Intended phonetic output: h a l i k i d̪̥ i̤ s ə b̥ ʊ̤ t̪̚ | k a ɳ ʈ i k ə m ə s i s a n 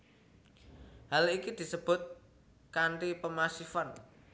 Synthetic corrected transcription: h a l i k i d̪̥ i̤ s ə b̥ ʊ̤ t̪̚ | k a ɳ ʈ i p ə m a s i f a n